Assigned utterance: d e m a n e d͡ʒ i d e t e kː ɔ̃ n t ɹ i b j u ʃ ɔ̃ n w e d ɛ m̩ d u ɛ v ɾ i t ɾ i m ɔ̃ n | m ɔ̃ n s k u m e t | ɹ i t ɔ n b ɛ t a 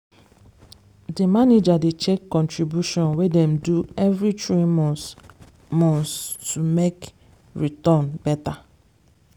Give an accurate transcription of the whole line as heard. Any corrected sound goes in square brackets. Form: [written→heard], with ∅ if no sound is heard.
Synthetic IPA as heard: d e m a n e d͡ʒ [i→a] d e [t→t͡ʃ] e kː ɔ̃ n t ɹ i b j u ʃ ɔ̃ n w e d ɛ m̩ d u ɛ v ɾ i t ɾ i m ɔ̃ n | m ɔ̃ n s [k→t] u m e [t→k] | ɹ i t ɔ n b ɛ t a